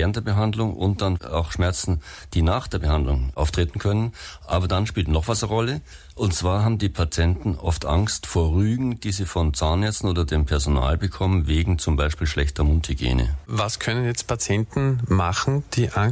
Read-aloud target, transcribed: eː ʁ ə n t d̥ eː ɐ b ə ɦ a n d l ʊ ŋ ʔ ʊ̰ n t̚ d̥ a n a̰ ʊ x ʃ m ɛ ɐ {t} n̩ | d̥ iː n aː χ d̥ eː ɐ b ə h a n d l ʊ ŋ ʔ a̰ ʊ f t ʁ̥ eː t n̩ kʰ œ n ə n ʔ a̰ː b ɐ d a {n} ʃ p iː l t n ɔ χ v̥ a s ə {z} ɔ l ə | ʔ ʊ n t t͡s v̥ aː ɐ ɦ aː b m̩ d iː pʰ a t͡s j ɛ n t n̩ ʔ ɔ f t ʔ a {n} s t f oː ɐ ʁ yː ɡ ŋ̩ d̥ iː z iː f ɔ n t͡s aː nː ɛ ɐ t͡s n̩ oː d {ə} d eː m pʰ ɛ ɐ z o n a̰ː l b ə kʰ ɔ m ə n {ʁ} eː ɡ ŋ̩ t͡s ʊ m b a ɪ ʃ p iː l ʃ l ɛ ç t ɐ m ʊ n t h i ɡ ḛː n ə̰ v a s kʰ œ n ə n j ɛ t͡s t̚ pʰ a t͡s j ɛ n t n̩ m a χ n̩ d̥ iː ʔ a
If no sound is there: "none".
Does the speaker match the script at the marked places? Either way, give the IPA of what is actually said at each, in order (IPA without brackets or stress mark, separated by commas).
t͡s, n, ʁ, ŋ, ɐ, v